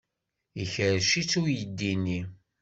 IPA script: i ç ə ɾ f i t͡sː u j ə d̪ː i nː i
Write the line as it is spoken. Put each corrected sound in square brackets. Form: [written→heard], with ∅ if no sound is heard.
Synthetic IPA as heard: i ç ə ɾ [f→ʃ] i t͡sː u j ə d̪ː i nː i